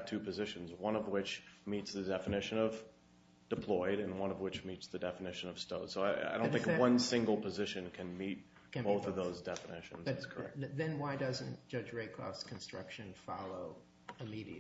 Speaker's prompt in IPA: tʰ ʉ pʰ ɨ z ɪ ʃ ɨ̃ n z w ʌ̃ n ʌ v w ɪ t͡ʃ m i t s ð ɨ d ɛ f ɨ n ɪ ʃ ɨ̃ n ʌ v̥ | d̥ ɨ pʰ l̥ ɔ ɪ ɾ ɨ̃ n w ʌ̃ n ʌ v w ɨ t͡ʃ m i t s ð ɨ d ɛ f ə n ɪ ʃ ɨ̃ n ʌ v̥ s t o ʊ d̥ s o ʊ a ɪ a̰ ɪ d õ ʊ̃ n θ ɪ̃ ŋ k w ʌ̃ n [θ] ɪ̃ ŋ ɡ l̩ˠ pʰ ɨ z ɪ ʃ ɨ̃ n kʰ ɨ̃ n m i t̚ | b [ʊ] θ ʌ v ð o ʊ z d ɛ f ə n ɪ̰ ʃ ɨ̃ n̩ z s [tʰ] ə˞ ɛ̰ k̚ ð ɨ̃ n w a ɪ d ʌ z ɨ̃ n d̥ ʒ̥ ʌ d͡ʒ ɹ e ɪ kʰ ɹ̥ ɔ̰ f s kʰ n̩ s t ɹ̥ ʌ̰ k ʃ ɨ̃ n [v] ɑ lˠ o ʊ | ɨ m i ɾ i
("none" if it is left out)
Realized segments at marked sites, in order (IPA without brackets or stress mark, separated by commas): s, ʊ, kʰ, f